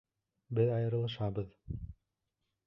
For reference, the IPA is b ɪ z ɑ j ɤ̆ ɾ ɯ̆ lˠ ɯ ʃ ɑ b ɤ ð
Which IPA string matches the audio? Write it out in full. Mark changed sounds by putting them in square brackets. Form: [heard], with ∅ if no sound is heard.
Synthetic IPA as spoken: b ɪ [ð] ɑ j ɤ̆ ɾ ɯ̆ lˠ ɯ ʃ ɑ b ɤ ð